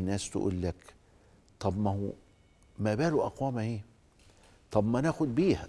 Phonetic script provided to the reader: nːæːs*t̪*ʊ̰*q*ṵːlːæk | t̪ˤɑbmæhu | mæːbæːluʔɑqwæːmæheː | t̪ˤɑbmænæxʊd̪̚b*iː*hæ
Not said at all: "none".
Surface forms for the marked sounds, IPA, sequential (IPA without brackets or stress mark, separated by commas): t̪, ʔ, iː